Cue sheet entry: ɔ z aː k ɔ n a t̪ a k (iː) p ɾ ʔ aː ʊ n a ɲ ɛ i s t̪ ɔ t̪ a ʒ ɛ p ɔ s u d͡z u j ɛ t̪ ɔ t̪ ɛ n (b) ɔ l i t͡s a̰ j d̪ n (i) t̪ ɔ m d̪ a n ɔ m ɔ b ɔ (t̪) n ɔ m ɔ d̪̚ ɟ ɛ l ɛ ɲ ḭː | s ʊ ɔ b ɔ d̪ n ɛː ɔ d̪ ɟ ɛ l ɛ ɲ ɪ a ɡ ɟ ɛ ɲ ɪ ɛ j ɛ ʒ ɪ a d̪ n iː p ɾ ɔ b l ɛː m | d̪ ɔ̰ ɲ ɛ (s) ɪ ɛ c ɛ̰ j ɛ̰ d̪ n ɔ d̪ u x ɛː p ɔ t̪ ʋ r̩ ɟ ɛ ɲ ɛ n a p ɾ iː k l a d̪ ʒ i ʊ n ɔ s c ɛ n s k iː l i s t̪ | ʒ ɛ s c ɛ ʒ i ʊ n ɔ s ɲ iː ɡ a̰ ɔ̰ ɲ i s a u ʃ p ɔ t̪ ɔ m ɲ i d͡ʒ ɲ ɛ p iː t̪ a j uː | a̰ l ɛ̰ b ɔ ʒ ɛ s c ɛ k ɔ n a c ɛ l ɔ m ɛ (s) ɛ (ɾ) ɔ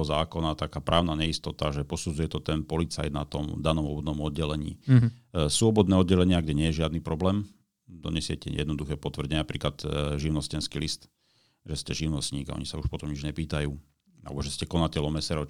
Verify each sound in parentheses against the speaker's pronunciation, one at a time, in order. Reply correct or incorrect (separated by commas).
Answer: incorrect, incorrect, incorrect, incorrect, correct, correct, correct